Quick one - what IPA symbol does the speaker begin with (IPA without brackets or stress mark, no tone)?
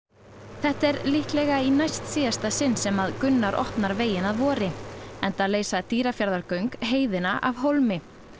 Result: θ